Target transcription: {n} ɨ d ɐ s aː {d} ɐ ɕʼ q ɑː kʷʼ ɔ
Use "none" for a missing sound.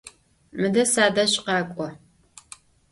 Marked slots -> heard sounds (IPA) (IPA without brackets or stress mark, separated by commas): m, d